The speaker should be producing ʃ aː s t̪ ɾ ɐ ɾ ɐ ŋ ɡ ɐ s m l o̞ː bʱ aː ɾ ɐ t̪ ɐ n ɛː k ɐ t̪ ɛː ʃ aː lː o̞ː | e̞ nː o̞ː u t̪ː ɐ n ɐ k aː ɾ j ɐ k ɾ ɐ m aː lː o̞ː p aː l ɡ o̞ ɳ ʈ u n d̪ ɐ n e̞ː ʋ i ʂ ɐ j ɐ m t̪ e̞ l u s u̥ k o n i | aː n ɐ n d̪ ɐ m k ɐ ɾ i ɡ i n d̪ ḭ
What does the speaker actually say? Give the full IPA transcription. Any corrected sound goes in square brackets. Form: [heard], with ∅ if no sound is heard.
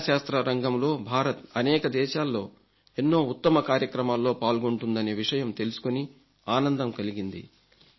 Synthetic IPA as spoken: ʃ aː s t̪ ɾ ɐ ɾ ɐ ŋ ɡ ɐ [∅] m l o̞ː bʱ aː ɾ ɐ t̪ ɐ n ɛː k ɐ [d̪] ɛː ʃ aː lː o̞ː | e̞ nː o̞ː u t̪ː ɐ [m] ɐ k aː ɾ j ɐ k ɾ ɐ m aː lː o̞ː p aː l ɡ o̞ ɳ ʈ u n d̪ ɐ n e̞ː ʋ i ʂ ɐ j ɐ m t̪ e̞ l u s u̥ k o n i | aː n ɐ n d̪ ɐ m k ɐ [l] i ɡ i n d̪ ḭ